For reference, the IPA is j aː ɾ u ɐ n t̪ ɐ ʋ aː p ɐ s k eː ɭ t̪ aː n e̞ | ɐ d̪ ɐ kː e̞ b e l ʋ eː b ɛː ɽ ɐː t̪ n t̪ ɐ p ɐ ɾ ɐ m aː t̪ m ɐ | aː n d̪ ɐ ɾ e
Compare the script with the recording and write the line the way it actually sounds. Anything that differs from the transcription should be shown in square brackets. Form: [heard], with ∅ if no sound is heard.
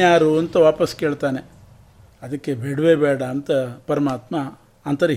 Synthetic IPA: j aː ɾ u ɐ n t̪ ɐ ʋ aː p ɐ s k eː ɭ t̪ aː n e̞ | ɐ d̪ ɐ kː e̞ b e [ɽ] ʋ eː b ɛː ɽ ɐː [∅] n t̪ ɐ p ɐ ɾ ɐ m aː t̪ m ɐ | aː n [t̪] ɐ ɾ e